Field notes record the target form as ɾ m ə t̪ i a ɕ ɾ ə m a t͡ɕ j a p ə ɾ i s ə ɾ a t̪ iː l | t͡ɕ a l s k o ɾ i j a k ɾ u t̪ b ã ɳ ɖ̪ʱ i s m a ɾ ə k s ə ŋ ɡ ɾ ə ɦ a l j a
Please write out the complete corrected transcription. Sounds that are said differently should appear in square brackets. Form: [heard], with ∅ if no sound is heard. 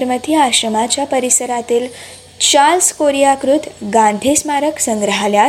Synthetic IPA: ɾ m ə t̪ i a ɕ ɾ ə m a t͡ɕ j a p ə ɾ i s ə ɾ a t̪ iː l | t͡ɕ a l s k o ɾ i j a k ɾ u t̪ [ɡ] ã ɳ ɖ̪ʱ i s m a ɾ ə k s ə ŋ ɡ ɾ ə ɦ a l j a